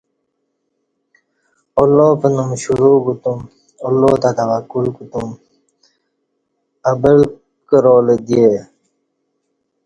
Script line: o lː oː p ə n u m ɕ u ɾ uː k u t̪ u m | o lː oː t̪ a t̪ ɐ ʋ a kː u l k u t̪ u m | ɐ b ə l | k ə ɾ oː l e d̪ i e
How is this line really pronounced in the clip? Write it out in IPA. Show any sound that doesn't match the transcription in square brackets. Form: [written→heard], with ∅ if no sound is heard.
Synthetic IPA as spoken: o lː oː p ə n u m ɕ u ɾ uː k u t̪ u m | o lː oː t̪ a t̪ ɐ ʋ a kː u l k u t̪ u m | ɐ b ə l | k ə ɾ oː l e d̪ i e